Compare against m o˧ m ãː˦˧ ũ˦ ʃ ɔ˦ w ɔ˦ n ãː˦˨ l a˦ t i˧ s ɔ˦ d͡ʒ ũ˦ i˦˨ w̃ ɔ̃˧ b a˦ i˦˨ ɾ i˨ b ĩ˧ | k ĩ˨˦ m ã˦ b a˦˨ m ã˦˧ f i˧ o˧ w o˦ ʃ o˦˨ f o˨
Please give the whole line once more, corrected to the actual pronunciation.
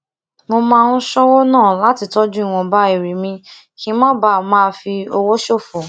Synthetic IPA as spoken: m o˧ m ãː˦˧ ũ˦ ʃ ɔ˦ w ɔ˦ n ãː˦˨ l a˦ t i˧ t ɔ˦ d͡ʒ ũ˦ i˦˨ w̃ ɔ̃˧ b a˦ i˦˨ ɾ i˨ m ĩ˧ | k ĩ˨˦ m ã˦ b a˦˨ m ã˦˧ f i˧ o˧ w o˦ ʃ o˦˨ f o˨

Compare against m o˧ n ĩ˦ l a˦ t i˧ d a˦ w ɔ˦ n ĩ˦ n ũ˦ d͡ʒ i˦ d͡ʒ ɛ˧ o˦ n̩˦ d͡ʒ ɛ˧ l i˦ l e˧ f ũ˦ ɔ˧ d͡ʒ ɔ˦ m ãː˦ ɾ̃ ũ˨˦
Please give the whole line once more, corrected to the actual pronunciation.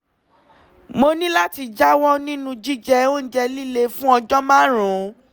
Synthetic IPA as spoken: m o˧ n ĩ˦ l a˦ t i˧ d͡ʒ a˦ w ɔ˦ n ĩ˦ n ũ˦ d͡ʒ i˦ d͡ʒ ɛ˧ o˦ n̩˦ d͡ʒ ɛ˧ l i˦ l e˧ f ũ˦ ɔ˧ d͡ʒ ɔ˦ m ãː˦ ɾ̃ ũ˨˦

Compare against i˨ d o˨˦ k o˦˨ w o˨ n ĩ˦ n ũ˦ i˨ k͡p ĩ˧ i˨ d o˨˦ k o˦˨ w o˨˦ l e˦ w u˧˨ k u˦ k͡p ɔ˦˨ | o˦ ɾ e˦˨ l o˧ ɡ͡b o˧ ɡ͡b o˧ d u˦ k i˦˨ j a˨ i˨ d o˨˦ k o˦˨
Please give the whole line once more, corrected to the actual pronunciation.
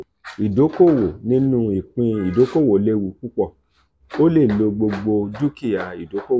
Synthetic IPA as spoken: i˨ d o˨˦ k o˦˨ w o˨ n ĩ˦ n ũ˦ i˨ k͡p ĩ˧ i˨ d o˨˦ k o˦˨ w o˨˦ l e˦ w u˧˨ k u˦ k͡p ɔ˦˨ | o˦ l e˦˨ l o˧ ɡ͡b o˧ ɡ͡b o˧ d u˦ k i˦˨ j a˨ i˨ d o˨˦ k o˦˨

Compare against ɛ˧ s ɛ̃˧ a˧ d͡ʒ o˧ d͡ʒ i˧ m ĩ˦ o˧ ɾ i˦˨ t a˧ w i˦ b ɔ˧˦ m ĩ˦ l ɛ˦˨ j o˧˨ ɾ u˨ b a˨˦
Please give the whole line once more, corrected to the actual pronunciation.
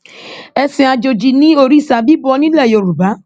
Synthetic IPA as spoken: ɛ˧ s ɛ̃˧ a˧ d͡ʒ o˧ d͡ʒ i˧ n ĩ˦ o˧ ɾ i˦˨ s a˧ b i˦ b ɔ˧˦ n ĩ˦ l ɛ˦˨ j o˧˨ ɾ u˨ b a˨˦

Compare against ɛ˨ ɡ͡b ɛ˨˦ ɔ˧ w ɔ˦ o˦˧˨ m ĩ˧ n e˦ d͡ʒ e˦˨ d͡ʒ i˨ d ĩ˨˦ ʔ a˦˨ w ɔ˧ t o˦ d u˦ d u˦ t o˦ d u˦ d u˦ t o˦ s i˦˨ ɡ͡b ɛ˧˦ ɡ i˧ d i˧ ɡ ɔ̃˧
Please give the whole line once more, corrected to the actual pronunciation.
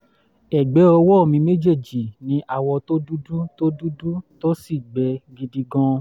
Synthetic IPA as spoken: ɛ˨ ɡ͡b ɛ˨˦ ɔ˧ w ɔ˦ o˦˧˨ m ĩ˧ m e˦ d͡ʒ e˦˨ d͡ʒ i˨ n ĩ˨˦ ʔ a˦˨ w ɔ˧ t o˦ d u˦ d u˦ t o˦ d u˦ d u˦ t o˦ s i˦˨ ɡ͡b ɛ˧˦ ɡ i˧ d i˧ ɡ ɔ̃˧

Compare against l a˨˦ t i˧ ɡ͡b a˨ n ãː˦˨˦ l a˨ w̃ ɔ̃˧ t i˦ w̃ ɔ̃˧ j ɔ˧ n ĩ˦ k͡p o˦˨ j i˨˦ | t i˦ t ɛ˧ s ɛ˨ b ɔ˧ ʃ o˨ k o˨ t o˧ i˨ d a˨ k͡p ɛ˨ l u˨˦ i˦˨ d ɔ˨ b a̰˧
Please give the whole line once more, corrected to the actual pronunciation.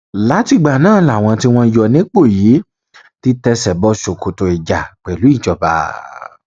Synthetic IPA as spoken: l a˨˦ t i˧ ɡ͡b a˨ n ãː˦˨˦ l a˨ w̃ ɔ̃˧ t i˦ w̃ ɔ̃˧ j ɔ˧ n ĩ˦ k͡p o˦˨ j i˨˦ | t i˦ t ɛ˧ s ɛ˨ b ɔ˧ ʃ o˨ k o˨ t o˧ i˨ d͡ʒ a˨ k͡p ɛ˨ l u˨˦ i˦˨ d͡ʒ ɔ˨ b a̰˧

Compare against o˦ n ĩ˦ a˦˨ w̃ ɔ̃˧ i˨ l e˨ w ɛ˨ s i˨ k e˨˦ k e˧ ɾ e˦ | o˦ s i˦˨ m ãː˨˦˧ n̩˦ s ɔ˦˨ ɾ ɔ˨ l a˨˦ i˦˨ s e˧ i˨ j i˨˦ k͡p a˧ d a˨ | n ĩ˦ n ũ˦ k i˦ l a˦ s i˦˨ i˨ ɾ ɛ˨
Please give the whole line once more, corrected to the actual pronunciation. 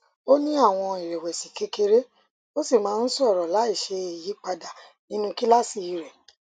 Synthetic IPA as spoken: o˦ n ĩ˦ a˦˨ w̃ ɔ̃˧ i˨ ɾ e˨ w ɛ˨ s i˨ k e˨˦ k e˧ ɾ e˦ | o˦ s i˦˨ m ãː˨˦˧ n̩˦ s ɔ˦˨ ɾ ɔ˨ l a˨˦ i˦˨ ʃ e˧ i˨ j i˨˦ k͡p a˧ d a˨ | n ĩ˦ n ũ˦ k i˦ l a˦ s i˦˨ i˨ ɾ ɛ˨

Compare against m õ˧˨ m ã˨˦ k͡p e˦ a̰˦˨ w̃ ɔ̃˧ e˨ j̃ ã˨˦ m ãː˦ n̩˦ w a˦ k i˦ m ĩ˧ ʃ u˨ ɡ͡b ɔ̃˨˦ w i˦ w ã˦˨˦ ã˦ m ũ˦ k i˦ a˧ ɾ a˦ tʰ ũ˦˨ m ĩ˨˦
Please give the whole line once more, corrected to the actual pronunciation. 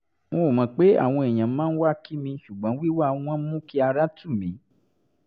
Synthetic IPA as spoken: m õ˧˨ m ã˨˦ k͡p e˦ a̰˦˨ w̃ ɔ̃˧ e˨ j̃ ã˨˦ m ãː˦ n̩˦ w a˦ k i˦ m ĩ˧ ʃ u˨ ɡ͡b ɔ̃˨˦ w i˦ w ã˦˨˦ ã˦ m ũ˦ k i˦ a˧ ɾ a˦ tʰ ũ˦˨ m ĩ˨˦

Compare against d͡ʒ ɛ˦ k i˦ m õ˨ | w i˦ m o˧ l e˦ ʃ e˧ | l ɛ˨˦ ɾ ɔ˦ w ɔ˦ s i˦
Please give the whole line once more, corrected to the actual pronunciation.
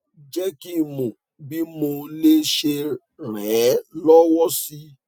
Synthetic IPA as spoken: d͡ʒ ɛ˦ k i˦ m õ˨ | b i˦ m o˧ l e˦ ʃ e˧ | ɾ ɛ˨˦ l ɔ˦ w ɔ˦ s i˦

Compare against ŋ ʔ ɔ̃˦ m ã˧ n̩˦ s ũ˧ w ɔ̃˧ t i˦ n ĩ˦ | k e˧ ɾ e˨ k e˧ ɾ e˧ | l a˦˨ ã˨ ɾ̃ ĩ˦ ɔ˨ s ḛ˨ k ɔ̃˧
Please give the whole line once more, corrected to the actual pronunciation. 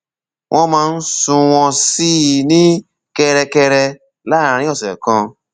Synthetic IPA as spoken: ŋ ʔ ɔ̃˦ m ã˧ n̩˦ s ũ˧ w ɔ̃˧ s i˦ n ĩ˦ | k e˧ ɾ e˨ k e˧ ɾ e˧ | l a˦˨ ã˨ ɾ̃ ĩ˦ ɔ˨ s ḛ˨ k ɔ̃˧

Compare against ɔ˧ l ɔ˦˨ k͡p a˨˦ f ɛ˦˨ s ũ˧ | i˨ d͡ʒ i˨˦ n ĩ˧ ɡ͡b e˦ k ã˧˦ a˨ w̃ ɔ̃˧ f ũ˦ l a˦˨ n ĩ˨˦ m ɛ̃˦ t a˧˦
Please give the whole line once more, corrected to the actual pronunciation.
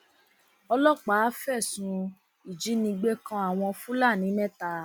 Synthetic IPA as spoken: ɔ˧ l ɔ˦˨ k͡p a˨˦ f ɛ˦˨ s ũ˧ | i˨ d͡ʒ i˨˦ n ĩ˧ ɡ͡b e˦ k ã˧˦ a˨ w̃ ɔ̃˧ f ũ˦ l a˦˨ n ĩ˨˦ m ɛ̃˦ t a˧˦

